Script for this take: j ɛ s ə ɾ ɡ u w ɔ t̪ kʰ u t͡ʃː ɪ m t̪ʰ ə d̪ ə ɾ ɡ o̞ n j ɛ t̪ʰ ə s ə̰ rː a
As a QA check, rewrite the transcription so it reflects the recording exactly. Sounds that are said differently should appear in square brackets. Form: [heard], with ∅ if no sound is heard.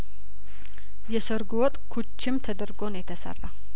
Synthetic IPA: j ɛ s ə ɾ ɡ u w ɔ [t̪ʼ] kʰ u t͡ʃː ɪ m t̪ʰ ə d̪ ə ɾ ɡ o̞ n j ɛ t̪ʰ ə s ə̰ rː a